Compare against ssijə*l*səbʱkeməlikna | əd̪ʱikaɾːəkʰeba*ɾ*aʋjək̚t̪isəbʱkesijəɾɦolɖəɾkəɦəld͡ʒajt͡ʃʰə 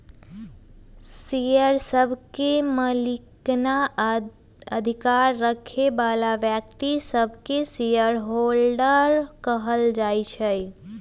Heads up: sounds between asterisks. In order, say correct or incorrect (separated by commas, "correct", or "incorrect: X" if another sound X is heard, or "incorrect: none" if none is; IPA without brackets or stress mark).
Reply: incorrect: ɾ, incorrect: l